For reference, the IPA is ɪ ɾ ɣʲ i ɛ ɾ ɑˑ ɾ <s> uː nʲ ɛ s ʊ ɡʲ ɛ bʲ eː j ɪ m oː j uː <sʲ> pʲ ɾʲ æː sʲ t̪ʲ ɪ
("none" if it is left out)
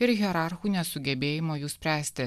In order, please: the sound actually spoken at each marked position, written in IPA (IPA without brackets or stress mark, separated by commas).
x, sʲ